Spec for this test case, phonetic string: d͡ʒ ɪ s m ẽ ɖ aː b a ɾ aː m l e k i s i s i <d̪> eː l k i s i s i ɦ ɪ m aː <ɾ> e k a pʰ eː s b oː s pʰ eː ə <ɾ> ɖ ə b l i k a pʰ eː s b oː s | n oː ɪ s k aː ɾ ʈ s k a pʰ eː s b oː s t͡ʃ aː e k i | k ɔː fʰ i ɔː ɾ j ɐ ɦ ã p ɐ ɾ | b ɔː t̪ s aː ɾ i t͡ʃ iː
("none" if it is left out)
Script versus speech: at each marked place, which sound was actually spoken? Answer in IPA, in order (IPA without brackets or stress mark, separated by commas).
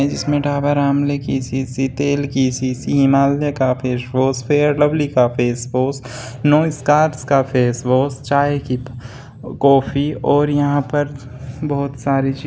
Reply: t̪, l, ɾ